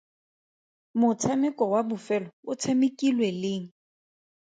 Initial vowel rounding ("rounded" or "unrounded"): rounded